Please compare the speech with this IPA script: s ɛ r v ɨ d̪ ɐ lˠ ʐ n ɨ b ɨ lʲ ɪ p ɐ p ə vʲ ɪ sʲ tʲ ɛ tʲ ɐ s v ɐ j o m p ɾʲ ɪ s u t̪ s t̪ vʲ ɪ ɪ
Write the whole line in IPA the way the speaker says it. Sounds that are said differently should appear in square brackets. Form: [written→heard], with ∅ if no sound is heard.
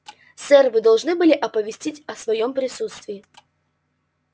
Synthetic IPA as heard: s ɛ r v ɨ d̪ ɐ lˠ ʐ n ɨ b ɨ lʲ ɪ [p→ʔ] ɐ p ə vʲ ɪ sʲ tʲ [ɛ→i] tʲ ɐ s v ɐ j o m p ɾʲ ɪ s u t̪ s t̪ vʲ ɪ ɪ